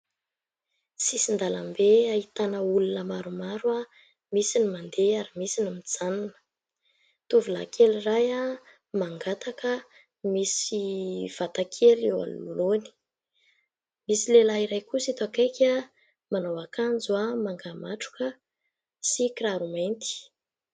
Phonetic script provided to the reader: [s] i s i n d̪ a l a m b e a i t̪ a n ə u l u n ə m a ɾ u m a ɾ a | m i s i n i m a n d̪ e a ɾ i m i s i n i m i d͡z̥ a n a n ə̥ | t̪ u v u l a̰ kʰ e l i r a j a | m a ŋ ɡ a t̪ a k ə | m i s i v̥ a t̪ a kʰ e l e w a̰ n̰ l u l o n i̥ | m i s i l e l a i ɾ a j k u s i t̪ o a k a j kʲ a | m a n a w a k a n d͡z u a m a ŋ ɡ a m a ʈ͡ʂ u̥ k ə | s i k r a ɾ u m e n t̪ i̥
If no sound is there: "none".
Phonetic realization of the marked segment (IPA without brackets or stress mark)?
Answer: s